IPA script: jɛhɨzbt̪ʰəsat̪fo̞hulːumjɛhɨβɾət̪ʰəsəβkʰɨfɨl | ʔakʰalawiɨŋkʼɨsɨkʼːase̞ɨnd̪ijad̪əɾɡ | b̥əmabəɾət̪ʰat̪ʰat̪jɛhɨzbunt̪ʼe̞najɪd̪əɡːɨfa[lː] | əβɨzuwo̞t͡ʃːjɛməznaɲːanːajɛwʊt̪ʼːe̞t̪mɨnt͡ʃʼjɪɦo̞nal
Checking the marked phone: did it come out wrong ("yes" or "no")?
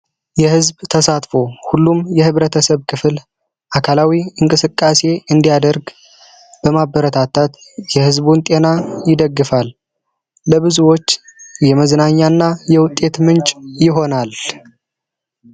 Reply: no